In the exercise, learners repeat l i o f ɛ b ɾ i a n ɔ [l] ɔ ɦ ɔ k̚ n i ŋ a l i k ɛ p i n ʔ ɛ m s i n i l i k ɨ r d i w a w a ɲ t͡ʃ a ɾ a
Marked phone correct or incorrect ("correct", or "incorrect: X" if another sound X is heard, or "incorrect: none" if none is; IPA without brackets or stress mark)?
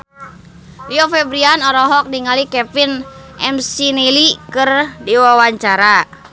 incorrect: ɾ